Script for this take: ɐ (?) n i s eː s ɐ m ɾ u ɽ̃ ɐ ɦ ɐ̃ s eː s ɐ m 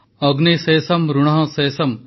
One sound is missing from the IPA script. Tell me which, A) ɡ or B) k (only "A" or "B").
A